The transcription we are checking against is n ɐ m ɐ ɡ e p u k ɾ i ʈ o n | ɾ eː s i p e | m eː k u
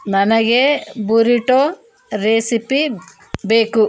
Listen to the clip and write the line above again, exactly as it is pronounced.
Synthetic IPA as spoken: n ɐ n ɐ ɡ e b u ɾ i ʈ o | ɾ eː s i p i | b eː k u

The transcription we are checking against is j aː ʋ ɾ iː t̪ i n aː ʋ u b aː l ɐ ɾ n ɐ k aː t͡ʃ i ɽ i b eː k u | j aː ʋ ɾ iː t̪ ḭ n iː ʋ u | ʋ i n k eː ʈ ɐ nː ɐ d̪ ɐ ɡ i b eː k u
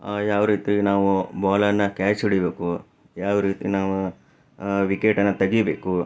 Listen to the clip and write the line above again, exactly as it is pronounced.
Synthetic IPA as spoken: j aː ʋ ɾ iː t̪ i n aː ʋ u b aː l ɐ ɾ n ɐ k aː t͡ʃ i ɽ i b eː k u | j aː ʋ ɾ iː t̪ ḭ n aː ʋ u | ʋ i k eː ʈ ɐ nː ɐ t̪ ɐ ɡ i b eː k u

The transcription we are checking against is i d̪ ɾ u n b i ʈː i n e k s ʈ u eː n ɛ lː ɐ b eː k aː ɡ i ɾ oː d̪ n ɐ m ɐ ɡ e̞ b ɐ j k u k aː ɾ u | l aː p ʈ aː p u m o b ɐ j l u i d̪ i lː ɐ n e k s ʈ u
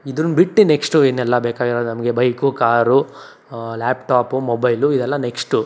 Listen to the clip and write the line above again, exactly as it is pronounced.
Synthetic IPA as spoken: i d̪ ɾ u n b i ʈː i n e k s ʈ u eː n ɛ lː ɐ b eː k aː ɡ i ɾ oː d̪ n ɐ m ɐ ɡ e̞ b ɐ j k u k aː ɾ u | l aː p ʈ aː p u m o b ɐ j l u i d̪ ɛ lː ɐ n e k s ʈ u

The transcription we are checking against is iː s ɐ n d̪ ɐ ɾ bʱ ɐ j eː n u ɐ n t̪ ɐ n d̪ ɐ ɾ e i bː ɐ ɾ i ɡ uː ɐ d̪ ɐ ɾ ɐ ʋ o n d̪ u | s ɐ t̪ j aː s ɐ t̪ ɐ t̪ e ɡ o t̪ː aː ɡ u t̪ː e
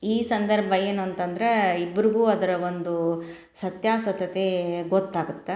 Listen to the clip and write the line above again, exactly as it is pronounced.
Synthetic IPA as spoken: iː s ɐ n d̪ ɐ ɾ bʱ ɐ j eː n u ɐ n t̪ ɐ n d̪ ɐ ɾ e i bː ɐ ɾ i ɡ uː ɐ d̪ ɐ ɾ ɐ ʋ o n d̪ u | s ɐ t̪ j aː s ɐ t̪ ɐ t̪ e ɡ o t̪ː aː ɡ u t̪ː e

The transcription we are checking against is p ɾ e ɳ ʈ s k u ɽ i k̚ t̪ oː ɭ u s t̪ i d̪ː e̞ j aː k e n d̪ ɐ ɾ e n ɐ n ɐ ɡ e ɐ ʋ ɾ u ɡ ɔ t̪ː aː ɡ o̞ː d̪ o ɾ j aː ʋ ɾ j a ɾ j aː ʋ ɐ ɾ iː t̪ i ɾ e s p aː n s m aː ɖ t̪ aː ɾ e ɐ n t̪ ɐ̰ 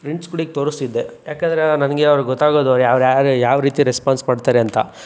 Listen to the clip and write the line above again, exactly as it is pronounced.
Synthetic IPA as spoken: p ɾ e ɳ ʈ s k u ɽ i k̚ t̪ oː ɾ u s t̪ i d̪ː e̞ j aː k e n d̪ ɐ ɾ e n ɐ n ɐ ɡ e ɐ ʋ ɾ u ɡ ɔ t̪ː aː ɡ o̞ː d̪ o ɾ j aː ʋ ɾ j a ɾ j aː ʋ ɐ ɾ iː t̪ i ɾ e s p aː n s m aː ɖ t̪ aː ɾ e ɐ n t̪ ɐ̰

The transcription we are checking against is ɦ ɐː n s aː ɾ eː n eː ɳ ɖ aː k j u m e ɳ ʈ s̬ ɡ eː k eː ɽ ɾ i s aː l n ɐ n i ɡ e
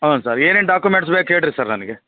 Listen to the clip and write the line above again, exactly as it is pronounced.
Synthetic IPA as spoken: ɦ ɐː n s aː ɾ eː n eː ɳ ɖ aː k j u m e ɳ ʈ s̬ b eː k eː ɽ ɾ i s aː ɾ n ɐ n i ɡ e

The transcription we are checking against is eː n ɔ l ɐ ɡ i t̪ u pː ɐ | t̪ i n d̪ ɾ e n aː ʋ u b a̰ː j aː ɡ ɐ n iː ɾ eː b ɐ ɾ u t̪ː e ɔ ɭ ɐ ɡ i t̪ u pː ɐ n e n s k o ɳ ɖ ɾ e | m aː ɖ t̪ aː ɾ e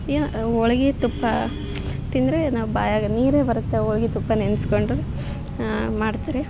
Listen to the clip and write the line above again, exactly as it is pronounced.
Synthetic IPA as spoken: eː n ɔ ɭ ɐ ɡ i t̪ u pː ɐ | t̪ i n d̪ ɾ e n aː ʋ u b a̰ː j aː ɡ ɐ n iː ɾ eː b ɐ ɾ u t̪ː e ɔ ɭ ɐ ɡ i t̪ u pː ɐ n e n s k o ɳ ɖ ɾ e | m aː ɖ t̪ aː ɾ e

